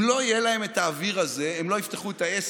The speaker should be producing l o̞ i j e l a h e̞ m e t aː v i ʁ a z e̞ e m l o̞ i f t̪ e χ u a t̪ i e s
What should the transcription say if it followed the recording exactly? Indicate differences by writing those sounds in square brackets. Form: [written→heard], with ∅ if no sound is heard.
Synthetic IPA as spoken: l o̞ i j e l a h e̞ m e t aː v i ʁ a z e̞ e m l o̞ i f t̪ e χ u [a→e] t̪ [i→a] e s

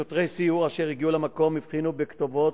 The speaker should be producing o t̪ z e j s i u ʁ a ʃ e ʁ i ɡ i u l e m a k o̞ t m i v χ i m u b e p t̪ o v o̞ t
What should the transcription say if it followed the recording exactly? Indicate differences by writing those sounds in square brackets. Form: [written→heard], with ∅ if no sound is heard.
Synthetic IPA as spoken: o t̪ [z→ʁ] e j s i u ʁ a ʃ e ʁ i ɡ i u l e m a k o̞ [t→∅] m i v χ i [m→n] u b e [p→k] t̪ o v o̞ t

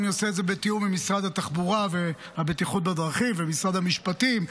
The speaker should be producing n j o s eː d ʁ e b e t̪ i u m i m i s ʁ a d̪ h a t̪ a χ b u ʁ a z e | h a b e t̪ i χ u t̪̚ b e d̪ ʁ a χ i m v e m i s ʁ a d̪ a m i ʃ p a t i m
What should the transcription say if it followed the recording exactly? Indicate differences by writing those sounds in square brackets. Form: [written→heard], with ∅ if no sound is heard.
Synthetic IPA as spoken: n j o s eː d [ʁ→z] e b e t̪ i u m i m i s ʁ a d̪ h a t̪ a χ b u ʁ a [z→v] e | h a b e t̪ i χ u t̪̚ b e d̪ ʁ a χ i m v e m i s ʁ a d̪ a m i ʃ p a t i m

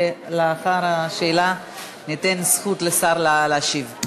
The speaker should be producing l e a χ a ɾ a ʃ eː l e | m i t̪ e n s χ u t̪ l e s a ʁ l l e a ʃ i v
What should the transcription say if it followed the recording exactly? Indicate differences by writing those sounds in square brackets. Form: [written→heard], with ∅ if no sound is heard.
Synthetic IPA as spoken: l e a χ a ɾ a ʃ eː l [e→a] | [m→n] i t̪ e n s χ u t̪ l e s a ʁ l l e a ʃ i v

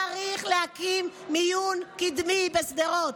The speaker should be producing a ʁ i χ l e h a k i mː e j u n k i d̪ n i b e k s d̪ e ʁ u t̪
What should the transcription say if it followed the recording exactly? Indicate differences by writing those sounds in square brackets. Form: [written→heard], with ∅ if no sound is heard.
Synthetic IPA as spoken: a ʁ i χ l e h a k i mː [e→i] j u n k i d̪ [n→m] i b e [k→∅] s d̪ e ʁ [u→o] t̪

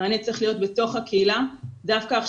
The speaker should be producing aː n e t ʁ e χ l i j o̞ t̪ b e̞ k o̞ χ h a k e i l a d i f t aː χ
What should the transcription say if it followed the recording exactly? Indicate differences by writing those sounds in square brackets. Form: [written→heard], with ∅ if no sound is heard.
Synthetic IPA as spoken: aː n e [t→t͡s] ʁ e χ l i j o̞ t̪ b e̞ [k→t] o̞ χ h a k e i l a d [i→a] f [t→k] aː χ

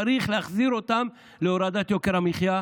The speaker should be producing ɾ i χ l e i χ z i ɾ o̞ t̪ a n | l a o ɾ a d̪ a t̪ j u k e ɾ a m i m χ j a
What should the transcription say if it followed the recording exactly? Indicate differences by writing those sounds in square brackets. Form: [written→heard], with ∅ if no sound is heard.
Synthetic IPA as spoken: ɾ i χ l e [i→a] χ z i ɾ o̞ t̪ a [n→m] | l [a→e] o ɾ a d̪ a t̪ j [u→o] k e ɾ a m i [m→∅] χ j a

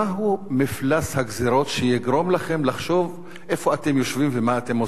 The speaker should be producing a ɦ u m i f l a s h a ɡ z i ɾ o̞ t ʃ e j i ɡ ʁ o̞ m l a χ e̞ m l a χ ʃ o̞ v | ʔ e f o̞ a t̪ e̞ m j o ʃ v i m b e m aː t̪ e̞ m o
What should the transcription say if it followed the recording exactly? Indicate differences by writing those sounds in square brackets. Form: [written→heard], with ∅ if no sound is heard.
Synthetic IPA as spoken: a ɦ u m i f l a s h a ɡ z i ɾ o̞ t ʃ e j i ɡ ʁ o̞ m l a χ e̞ m l a χ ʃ o̞ v | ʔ e f o̞ a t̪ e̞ m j o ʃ v i m [b→v] e m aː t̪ e̞ m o

